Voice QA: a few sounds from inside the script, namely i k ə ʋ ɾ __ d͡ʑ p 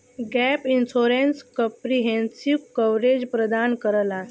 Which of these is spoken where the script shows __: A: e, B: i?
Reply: A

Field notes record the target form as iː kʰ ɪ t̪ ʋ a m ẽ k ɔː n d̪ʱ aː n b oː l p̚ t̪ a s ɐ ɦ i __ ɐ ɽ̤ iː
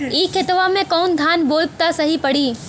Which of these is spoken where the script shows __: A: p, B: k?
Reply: A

